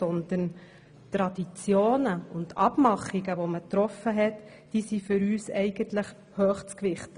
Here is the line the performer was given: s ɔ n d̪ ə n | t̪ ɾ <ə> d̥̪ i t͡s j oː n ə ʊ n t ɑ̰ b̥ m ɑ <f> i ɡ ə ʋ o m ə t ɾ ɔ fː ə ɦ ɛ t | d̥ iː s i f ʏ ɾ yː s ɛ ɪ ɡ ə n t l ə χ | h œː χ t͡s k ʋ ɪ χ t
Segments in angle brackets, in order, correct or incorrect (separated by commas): incorrect, incorrect